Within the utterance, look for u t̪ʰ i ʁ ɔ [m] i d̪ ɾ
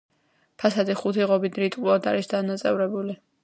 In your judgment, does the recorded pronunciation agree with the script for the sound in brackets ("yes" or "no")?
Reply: no